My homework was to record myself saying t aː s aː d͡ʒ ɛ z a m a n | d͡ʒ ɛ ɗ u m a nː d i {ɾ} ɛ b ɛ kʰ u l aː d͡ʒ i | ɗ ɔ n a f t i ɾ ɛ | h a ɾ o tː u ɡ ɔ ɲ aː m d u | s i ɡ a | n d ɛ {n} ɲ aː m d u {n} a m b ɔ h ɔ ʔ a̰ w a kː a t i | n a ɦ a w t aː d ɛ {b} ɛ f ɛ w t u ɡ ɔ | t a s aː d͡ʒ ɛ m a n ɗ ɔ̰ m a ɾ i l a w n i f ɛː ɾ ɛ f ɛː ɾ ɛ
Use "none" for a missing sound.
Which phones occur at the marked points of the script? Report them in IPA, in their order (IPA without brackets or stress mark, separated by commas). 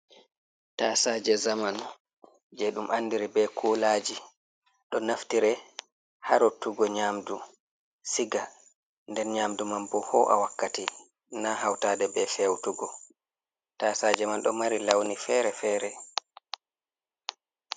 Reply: ɾ, n, m, b